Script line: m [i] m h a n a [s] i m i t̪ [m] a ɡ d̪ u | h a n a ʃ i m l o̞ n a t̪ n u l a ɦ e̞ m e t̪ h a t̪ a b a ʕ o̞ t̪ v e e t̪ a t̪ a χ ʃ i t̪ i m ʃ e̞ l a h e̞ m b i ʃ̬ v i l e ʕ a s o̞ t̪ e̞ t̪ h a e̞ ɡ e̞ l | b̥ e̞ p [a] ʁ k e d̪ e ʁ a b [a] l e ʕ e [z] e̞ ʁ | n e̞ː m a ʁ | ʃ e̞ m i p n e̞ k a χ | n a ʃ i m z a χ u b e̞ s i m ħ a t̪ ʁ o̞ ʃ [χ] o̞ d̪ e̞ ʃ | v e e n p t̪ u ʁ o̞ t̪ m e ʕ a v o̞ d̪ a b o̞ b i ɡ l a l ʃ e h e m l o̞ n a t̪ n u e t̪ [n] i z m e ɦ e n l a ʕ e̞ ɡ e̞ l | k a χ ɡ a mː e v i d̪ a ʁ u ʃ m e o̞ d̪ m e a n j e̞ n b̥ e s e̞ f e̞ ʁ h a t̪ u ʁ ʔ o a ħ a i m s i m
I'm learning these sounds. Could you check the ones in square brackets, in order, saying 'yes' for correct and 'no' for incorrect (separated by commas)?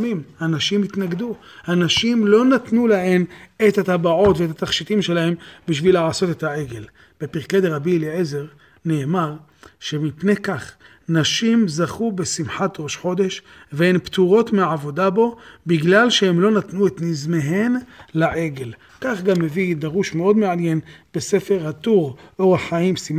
yes, no, no, no, no, yes, no, yes